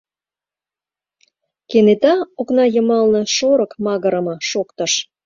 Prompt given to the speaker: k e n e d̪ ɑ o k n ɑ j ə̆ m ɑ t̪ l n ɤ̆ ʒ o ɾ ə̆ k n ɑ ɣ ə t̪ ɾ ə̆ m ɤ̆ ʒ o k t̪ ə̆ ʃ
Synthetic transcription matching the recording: k e n e t̪ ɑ o k n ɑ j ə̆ m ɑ l n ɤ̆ ʃ o ɾ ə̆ k m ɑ ɣ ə ɾ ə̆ m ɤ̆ ʃ o k t̪ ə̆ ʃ

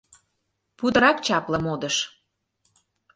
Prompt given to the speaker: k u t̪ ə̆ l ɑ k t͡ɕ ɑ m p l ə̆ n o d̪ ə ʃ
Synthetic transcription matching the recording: p u d̪ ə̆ ɾ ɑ k t͡ɕ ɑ p l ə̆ m o d̪ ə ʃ

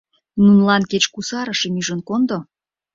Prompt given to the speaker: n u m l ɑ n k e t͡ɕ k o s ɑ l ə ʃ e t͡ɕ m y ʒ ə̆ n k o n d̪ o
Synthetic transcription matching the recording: n u n l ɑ n k e t͡ɕ k u s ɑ ɾ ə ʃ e m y ʒ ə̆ n k o n d̪ o

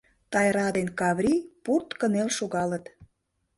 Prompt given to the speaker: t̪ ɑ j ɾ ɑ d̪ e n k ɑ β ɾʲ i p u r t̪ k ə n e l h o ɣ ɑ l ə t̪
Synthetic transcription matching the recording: t̪ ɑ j ɾ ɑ d̪ e n k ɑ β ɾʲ i p u r t̪ k ə n e l ʃ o ɣ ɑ l ə t̪

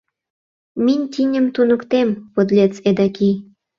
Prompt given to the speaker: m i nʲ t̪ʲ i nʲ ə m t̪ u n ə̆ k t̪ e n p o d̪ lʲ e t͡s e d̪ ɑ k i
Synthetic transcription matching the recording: m i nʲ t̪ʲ i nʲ ə m t̪ u n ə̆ k t̪ e m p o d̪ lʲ e t͡s e d̪ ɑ k i

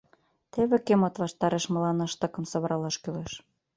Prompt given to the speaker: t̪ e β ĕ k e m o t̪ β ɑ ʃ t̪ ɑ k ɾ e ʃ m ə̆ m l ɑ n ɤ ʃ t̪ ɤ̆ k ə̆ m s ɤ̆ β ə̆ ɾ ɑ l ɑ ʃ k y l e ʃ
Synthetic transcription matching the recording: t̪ e β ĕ k e m o t̪ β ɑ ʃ t̪ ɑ ɾ e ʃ m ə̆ l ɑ n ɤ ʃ t̪ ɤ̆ k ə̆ m s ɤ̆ β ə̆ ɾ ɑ l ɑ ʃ k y l e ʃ

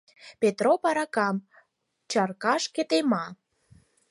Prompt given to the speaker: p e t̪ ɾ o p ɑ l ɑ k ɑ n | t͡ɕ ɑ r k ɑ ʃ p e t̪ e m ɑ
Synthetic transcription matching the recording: p e t̪ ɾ o p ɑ ɾ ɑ k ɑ m | t͡ɕ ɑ r k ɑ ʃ k e t̪ e m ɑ

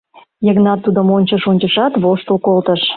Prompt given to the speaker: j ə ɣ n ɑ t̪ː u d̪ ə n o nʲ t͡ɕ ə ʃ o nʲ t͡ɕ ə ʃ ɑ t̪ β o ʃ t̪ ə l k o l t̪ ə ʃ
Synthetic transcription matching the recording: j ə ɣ n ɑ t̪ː u d̪ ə m o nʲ t͡ɕ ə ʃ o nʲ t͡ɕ ə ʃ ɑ t̪ β o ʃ t̪ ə l k o l t̪ ə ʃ

